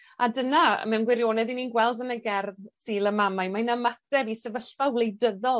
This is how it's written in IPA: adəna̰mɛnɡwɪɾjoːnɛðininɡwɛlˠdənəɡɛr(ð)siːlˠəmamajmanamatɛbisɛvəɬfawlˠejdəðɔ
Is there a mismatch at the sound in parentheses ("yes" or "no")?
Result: no